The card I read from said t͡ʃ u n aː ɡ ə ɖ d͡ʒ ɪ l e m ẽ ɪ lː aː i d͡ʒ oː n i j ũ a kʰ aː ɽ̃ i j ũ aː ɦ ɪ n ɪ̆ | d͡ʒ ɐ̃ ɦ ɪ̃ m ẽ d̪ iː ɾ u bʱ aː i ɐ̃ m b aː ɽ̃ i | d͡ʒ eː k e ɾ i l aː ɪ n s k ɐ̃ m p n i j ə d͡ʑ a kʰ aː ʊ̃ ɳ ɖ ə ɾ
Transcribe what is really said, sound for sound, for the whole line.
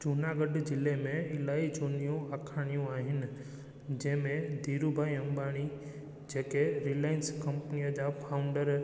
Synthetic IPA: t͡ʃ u n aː ɡ ə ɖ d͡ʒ ɪ l e m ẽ ɪ l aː i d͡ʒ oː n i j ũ a kʰ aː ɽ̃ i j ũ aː ɦ ɪ n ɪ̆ | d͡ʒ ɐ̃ ɦ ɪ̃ m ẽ d̪ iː ɾ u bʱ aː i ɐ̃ m b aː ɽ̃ i | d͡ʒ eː k e ɾ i l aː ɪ n s k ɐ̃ m p n i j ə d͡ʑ a pʰ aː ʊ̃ ɳ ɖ ə ɾ